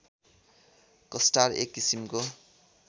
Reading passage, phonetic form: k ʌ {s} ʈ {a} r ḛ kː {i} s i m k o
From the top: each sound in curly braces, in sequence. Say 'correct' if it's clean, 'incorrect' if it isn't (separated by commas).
correct, correct, correct